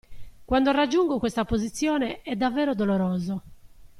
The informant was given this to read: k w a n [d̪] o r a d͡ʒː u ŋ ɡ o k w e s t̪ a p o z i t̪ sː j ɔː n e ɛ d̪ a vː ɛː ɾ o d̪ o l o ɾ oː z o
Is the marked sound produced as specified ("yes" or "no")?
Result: yes